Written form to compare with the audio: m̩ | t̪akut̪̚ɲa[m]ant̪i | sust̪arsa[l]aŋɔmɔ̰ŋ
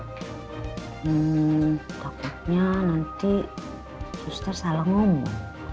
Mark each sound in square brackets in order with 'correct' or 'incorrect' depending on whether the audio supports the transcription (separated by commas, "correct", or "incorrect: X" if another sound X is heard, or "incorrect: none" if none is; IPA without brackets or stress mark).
incorrect: n, correct